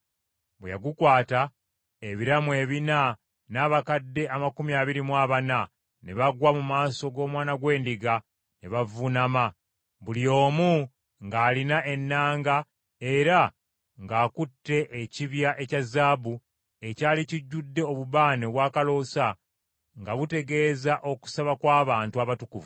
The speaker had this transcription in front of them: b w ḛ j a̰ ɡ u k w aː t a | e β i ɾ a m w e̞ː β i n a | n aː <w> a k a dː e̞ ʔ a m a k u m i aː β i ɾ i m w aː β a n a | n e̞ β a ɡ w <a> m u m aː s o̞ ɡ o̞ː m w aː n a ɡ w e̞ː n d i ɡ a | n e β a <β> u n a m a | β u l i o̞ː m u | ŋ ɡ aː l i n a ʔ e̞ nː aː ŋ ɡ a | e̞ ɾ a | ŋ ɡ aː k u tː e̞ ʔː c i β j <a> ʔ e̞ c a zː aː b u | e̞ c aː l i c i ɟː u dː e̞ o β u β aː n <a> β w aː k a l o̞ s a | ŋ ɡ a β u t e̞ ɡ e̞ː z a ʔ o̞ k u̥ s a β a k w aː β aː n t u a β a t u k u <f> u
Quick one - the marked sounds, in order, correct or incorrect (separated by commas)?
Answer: incorrect, correct, incorrect, correct, incorrect, incorrect